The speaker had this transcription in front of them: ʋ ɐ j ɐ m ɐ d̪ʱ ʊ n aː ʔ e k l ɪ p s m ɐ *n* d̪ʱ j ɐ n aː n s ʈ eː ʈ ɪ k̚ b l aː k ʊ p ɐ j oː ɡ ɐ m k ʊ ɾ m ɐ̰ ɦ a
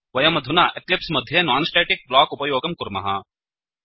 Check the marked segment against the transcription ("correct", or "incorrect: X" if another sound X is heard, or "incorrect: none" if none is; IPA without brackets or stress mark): incorrect: none